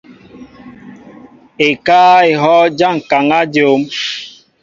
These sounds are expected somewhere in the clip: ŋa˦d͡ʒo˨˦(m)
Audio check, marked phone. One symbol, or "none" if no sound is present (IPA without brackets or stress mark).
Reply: m